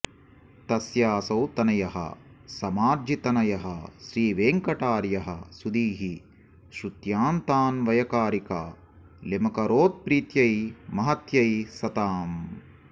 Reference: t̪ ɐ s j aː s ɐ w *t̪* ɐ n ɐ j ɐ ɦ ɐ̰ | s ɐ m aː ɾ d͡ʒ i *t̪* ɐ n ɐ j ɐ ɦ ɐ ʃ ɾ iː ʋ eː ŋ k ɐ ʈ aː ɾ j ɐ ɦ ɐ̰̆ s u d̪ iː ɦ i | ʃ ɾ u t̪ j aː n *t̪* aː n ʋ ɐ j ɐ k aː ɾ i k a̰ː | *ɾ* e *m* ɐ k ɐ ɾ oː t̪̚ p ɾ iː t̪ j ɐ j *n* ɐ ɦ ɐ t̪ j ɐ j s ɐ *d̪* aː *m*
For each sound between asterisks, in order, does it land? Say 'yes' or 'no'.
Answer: yes, yes, yes, no, yes, no, no, yes

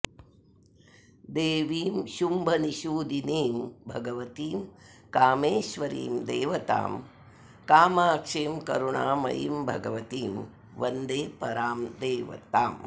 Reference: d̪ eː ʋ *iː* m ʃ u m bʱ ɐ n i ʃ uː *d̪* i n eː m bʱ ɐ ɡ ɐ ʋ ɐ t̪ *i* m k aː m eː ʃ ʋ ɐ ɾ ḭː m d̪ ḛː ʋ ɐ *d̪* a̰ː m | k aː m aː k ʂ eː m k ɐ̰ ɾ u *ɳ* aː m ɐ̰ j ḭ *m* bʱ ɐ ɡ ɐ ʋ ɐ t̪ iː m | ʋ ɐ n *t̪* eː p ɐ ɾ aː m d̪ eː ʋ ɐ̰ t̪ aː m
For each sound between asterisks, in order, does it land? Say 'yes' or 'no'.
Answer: yes, yes, no, no, yes, yes, no

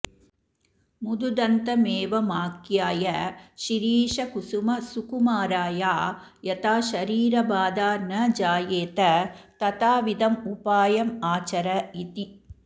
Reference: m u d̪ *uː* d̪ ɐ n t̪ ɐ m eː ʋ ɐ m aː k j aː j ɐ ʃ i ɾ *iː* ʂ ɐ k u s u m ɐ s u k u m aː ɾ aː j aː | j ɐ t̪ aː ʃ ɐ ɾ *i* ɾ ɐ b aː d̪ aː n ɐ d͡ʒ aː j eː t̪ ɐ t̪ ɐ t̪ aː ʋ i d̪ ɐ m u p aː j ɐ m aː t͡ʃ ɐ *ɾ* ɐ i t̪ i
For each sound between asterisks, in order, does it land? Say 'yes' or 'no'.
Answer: no, yes, no, yes

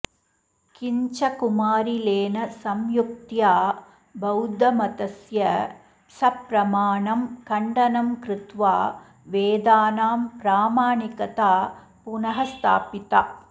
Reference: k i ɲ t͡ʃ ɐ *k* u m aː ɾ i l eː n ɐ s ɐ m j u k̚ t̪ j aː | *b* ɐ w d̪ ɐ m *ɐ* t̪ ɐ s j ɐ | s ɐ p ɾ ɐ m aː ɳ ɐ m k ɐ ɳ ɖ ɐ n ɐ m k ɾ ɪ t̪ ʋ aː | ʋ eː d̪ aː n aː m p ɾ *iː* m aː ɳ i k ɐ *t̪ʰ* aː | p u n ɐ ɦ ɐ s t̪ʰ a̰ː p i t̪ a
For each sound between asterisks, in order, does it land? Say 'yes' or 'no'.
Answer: yes, yes, yes, no, no

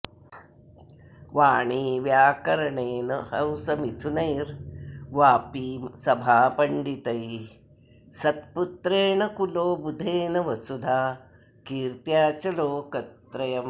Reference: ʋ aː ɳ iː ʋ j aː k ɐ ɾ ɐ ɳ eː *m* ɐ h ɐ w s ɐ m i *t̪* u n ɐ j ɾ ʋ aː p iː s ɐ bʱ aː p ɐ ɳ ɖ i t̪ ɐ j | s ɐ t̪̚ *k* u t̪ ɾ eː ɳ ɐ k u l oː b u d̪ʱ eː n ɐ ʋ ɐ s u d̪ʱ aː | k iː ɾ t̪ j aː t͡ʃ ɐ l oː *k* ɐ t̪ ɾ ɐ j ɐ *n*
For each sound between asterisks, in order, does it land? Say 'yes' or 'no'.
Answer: no, no, no, yes, no

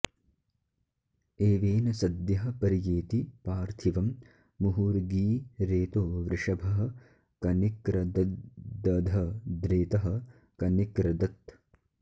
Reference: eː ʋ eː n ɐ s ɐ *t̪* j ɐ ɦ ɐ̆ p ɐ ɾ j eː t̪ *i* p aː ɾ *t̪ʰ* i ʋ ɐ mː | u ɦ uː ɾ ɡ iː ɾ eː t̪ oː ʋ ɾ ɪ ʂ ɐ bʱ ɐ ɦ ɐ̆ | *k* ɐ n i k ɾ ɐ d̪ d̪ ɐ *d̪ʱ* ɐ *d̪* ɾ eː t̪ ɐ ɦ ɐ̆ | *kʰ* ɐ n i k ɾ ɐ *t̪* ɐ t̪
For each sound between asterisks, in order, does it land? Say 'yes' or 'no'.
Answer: no, yes, yes, yes, yes, yes, no, no

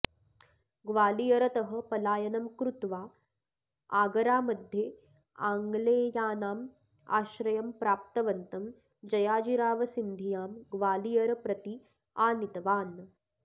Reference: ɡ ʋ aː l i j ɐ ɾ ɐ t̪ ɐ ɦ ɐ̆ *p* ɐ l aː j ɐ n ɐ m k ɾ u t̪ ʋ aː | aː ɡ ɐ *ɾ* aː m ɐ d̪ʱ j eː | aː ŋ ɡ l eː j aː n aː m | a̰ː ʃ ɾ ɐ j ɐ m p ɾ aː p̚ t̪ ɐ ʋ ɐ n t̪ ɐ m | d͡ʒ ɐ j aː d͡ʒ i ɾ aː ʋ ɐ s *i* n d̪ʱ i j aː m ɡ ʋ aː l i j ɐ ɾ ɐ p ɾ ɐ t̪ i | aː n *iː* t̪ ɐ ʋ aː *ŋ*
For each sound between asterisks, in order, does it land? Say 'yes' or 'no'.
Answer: yes, yes, yes, no, no

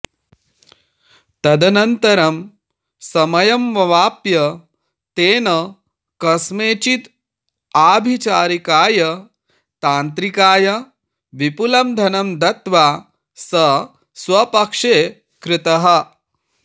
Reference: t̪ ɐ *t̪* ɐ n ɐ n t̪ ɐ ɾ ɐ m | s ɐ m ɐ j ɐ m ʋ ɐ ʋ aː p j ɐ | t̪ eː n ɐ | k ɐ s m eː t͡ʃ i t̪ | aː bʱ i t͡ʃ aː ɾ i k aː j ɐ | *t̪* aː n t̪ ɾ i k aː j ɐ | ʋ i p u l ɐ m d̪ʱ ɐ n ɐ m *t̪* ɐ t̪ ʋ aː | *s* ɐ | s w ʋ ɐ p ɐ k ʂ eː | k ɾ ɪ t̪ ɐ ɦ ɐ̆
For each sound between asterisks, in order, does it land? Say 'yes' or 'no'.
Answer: no, yes, no, yes

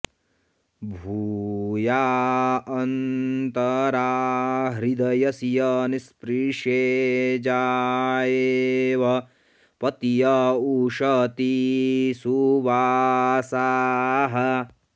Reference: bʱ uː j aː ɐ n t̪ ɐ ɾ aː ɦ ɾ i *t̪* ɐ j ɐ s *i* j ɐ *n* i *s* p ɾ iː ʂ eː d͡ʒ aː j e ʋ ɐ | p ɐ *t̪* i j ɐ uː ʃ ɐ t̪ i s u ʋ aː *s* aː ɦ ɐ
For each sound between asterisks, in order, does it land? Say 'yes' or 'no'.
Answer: no, yes, yes, yes, yes, yes

